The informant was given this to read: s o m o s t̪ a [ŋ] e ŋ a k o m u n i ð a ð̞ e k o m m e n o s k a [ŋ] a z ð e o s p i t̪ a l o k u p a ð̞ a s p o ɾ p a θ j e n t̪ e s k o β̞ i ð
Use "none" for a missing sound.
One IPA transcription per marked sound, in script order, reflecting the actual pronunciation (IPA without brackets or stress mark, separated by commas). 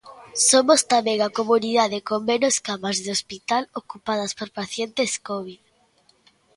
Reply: m, m